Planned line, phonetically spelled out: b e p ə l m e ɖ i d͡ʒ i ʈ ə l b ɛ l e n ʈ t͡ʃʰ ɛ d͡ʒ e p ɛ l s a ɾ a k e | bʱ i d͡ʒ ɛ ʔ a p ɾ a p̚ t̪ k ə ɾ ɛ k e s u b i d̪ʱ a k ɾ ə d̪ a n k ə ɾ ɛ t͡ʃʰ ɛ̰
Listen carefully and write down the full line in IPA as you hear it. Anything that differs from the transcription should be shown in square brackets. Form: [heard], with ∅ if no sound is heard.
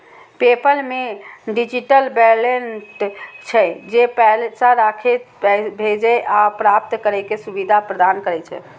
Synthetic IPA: [p] e p ə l m e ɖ i d͡ʒ i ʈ ə l b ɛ l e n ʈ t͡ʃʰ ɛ d͡ʒ e p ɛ l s a ɾ a [kʰ] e | bʱ [e] d͡ʒ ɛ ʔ a p ɾ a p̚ t̪ k ə ɾ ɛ k e s u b i d̪ʱ a [p] ɾ ə d̪ a n k ə ɾ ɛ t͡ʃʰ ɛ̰

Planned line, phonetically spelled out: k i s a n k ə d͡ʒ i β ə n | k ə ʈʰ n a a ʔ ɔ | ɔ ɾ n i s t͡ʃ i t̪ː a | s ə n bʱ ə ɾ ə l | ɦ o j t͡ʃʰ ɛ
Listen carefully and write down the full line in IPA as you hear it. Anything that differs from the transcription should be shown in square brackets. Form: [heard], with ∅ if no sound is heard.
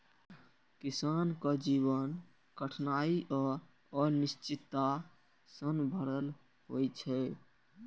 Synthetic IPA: k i s a n k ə d͡ʒ i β ə n | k ə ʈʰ n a [i] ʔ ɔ | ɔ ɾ n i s t͡ʃ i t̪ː a | s ə n bʱ ə ɾ ə l | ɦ o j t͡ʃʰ ɛ

